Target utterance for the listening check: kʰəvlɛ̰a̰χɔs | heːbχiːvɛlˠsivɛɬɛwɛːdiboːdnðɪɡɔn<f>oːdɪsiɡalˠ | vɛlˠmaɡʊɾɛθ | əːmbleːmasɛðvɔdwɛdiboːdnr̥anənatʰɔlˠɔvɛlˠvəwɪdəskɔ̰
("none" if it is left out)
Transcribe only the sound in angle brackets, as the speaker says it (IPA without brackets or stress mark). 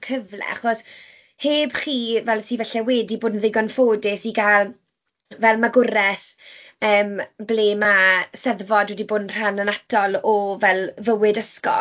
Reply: f